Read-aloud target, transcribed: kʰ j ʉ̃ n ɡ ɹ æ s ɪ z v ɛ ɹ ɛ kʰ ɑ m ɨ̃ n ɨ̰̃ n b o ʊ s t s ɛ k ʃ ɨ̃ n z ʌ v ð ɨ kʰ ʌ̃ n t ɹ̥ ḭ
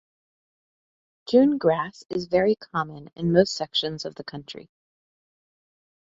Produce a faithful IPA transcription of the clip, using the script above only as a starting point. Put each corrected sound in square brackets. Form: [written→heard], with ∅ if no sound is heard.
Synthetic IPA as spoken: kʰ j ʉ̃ n ɡ ɹ æ s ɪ z v ɛ ɹ [ɛ→i] kʰ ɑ m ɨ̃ n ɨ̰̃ n [b→m] o ʊ s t s ɛ k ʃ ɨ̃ n z ʌ v ð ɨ kʰ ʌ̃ n [t→t͡ʃ] ɹ̥ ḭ